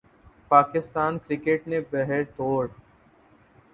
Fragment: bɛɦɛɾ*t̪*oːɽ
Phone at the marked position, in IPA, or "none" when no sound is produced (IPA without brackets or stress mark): t̪